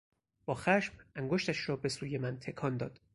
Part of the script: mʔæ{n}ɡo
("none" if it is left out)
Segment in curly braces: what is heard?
ŋ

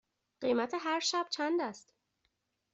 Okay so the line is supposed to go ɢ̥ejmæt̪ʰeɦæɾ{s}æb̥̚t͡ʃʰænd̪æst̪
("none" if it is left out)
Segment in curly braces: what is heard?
ʃ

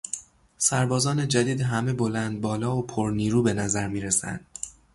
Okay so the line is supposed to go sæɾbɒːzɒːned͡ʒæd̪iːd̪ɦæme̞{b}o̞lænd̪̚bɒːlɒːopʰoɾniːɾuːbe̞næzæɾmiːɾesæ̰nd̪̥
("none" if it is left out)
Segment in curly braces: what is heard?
b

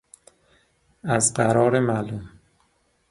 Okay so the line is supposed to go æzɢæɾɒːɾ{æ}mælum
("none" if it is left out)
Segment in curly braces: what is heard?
e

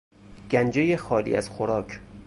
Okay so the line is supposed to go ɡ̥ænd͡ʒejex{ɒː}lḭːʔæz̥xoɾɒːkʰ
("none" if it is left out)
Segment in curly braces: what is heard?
ɒː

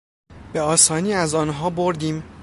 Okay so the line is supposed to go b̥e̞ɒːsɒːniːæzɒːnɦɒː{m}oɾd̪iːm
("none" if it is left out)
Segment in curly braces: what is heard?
b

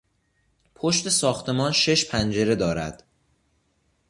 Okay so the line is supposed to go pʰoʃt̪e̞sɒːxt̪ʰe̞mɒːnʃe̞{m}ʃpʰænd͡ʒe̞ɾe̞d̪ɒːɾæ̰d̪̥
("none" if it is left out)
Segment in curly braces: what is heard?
none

